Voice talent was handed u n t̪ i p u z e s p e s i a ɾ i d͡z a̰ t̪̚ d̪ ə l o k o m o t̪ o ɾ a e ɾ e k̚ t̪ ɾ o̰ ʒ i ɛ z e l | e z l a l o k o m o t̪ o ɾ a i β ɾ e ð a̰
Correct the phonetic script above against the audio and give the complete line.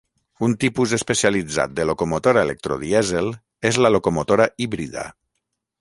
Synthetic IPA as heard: u n t̪ i p u z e s p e s i a l i d͡z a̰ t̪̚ d̪ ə l o k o m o t̪ o ɾ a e l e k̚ t̪ ɾ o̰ ð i ɛ z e l | e z l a l o k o m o t̪ o ɾ a i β ɾ i ð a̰